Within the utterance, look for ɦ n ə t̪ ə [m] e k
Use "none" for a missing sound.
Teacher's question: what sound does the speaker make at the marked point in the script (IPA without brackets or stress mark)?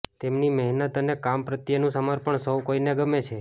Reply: n